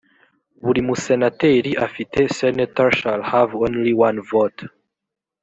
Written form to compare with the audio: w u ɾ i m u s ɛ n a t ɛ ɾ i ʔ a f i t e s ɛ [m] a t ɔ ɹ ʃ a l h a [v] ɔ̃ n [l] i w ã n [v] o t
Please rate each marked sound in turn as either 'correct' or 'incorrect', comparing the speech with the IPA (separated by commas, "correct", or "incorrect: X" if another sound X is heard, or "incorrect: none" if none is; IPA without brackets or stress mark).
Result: incorrect: n, correct, correct, correct